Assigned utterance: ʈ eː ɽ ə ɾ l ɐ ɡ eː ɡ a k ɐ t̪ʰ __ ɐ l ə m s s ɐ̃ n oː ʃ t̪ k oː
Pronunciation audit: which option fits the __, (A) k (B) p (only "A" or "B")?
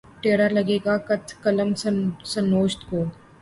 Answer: A